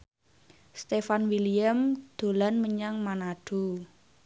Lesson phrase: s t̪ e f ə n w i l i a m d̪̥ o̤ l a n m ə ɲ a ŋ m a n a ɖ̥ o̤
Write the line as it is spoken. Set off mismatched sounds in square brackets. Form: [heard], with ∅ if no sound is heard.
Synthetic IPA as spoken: s t̪ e f [a] n w i l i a m d̪̥ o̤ l a n m ə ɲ a ŋ m a n a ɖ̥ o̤